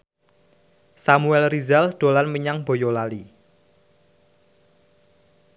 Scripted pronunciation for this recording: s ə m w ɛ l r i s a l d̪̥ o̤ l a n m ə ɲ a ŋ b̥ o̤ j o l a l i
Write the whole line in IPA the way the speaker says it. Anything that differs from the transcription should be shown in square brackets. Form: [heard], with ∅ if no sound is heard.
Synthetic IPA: s [a] m [u] ɛ l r i [z] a l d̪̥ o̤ l a n m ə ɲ a ŋ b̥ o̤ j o l a l i